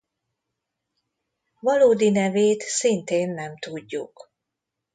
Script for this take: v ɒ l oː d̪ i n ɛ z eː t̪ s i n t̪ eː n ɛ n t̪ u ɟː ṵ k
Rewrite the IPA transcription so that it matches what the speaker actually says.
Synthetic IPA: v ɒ l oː d̪ i n ɛ v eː t̪ s i n t̪ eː nː ɛ m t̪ u ɟː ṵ k